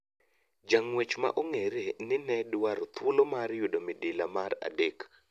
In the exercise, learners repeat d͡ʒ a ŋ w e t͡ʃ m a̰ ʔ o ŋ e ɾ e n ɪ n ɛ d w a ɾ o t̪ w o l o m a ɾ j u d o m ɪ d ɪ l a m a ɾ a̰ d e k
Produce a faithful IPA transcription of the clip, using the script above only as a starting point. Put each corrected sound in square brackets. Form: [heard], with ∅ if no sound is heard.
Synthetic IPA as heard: d͡ʒ a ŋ w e t͡ʃ m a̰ ʔ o ŋ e ɾ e n ɪ n ɛ d w a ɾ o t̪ w o l o m a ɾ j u d o m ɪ d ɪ l a m a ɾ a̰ d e k